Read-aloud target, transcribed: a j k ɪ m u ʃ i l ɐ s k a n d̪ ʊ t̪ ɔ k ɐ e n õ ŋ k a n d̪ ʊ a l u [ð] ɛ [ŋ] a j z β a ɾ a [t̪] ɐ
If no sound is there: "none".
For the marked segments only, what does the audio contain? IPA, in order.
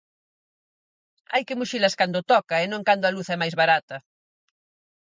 θ, m, t̪

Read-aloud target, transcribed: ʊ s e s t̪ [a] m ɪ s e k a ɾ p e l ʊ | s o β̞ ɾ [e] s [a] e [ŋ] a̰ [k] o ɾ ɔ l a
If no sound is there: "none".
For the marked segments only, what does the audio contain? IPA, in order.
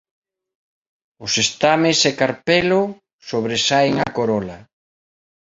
a, e, a, ŋ, k

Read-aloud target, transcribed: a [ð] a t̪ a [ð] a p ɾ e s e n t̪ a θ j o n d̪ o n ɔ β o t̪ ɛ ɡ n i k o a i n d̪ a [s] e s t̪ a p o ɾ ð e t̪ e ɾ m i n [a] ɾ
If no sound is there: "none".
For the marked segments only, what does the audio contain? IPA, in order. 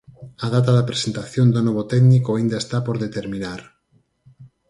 ð, ð, none, a

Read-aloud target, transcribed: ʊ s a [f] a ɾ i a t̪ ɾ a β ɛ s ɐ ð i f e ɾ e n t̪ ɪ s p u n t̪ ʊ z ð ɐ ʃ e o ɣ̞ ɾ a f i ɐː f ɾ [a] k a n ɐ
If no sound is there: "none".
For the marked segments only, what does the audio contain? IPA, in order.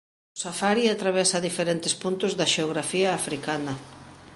f, i

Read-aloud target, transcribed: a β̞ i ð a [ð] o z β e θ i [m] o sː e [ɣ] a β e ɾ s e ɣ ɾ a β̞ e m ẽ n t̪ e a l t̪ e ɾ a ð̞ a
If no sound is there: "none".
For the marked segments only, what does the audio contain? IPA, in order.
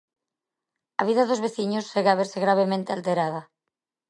ð, ɲ, ɣ

